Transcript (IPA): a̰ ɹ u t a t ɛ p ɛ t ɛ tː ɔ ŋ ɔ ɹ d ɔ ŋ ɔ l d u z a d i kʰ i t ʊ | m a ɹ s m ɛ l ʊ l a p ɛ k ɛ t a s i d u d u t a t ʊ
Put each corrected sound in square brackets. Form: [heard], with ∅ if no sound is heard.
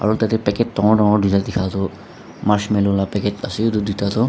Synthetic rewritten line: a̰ ɹ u t a t ɛ p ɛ [k] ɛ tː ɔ ŋ ɔ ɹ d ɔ ŋ ɔ [ɹ] d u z a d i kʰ [a] t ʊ | m a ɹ s m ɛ l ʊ l a p ɛ k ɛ t a s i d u d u t a t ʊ